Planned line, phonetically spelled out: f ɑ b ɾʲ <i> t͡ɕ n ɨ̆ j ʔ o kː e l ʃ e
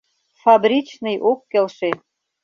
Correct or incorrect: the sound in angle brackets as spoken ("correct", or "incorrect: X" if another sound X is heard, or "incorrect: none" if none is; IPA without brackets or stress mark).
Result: correct